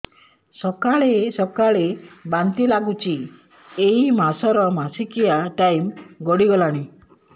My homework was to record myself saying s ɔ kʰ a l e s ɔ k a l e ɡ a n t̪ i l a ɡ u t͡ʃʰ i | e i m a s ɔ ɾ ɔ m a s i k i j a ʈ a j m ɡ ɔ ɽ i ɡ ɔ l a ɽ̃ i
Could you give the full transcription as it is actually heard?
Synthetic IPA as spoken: s ɔ k a ɭ e s ɔ k a ɭ e b a n t̪ i l a ɡ u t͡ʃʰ i | e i m a s ɔ ɾ ɔ m a s i k i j a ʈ a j m ɡ ɔ ɽ i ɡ ɔ l a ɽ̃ i